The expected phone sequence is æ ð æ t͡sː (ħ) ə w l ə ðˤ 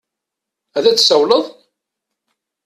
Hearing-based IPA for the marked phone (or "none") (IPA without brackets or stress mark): s